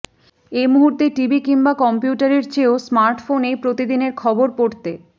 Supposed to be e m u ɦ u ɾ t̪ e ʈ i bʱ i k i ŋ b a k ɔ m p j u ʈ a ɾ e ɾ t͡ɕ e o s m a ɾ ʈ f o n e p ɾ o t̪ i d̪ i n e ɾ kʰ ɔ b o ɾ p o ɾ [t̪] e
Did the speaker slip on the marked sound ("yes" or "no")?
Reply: no